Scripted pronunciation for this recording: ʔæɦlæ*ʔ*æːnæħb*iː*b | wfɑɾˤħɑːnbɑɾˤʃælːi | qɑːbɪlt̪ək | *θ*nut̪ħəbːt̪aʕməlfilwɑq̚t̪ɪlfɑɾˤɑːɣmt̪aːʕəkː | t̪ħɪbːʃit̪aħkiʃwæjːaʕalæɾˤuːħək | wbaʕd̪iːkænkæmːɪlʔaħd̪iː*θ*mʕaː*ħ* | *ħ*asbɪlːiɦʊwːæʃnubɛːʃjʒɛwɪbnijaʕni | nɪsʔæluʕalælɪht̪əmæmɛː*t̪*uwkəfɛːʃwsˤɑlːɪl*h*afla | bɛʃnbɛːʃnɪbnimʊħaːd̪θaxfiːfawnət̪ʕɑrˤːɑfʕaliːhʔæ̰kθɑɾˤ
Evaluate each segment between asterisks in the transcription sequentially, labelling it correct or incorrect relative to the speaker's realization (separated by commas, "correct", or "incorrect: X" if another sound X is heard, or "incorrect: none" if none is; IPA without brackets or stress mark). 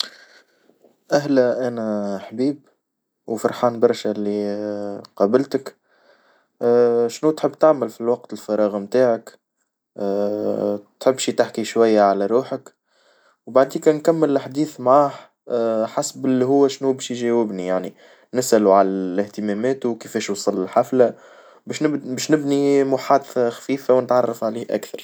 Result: correct, correct, incorrect: ʃ, correct, incorrect: h, correct, correct, incorrect: ħ